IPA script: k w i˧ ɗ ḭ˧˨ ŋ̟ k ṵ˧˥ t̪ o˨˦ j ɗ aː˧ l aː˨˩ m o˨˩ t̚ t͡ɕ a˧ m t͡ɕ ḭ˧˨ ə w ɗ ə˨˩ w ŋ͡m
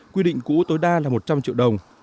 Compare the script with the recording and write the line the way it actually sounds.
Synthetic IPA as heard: k w i˧ ɗ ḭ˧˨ ŋ̟ k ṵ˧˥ t̪ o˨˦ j ɗ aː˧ l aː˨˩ m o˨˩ t̚ t͡ɕ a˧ m t͡ɕ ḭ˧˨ ə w ɗ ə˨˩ w ŋ͡m